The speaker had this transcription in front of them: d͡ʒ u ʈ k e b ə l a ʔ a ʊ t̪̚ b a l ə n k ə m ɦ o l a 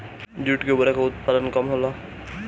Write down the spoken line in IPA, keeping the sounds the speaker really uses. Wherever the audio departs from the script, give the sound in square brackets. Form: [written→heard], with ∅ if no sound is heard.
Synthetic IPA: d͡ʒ u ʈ k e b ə [l→ɾ] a [ʔ→k] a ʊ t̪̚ [b→p] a l ə n k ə m ɦ o l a